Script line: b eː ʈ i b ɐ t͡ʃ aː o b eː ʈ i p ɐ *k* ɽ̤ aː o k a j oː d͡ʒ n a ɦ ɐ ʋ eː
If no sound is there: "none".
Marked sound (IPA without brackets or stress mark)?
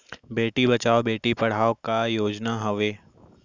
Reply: none